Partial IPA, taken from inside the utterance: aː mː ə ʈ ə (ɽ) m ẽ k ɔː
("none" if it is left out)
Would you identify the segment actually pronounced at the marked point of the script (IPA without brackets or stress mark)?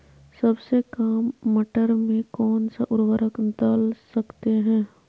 ɾ